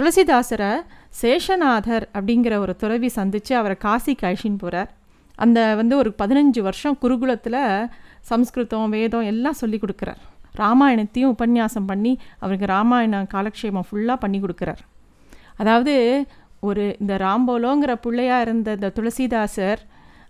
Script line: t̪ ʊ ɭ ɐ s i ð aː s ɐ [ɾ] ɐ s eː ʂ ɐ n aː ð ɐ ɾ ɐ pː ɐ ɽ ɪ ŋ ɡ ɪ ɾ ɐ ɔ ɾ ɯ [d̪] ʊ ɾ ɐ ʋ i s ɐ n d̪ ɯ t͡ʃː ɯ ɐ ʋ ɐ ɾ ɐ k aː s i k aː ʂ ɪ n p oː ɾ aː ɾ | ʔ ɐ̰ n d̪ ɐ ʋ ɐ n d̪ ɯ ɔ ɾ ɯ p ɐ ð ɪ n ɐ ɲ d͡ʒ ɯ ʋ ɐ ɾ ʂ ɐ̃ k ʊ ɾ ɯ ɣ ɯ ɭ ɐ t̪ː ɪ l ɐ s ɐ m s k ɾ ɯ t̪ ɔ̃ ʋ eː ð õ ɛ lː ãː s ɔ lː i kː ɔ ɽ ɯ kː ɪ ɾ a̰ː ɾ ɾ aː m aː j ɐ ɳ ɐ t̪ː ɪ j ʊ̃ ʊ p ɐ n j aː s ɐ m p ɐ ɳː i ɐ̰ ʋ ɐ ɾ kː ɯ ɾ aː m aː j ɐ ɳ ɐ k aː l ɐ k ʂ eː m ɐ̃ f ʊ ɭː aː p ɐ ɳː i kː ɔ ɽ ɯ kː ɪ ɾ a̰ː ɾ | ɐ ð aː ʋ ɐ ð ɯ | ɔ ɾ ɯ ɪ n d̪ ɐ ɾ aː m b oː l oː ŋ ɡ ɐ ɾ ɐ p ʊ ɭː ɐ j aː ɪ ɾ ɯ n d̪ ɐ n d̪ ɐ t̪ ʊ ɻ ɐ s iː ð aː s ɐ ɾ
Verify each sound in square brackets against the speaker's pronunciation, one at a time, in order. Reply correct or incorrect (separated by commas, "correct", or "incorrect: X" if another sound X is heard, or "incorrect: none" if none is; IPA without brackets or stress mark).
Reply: correct, incorrect: t̪